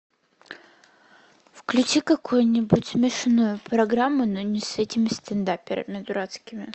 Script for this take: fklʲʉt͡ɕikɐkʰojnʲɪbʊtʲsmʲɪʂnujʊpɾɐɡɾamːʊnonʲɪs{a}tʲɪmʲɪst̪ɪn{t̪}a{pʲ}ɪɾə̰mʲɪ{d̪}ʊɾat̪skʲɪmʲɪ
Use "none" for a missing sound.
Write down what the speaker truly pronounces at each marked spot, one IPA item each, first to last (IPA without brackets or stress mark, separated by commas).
ɛ, d̪, pʲ, d̪